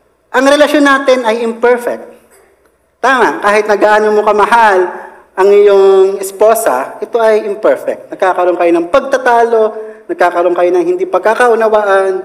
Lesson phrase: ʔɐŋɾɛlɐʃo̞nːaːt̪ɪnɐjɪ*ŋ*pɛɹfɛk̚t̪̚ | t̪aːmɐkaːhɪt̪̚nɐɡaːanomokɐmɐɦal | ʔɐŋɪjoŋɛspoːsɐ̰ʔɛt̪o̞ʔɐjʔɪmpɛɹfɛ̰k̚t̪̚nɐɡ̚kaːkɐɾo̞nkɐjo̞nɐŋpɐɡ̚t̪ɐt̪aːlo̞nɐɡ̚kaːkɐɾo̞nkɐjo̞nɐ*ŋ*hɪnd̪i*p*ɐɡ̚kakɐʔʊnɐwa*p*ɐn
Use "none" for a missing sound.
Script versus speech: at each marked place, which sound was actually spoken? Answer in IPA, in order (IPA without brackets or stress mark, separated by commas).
m, ŋ, p, ʔ